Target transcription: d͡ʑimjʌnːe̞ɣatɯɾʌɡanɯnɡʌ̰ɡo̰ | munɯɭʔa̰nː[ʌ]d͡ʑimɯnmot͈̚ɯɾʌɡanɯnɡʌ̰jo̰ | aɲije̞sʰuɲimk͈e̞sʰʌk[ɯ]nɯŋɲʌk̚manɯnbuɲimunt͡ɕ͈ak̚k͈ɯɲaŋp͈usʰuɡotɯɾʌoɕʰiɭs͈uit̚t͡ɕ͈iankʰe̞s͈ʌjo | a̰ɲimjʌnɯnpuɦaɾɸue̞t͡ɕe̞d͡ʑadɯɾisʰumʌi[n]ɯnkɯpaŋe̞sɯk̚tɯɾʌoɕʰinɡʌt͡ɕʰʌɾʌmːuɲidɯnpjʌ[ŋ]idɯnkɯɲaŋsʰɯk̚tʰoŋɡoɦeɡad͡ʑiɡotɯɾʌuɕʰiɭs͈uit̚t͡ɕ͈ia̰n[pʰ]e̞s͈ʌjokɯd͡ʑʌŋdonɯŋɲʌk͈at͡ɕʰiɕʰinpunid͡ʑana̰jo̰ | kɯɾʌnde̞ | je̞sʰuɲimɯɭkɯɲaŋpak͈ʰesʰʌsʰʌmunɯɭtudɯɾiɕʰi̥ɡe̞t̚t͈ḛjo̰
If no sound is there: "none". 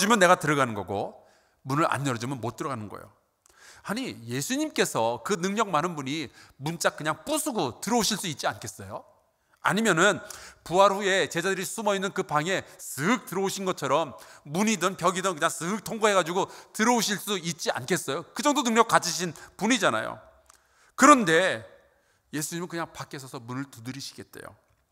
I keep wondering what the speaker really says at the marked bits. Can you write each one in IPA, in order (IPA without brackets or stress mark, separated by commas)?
ʌ, ɯ, nː, ɡ, kʰ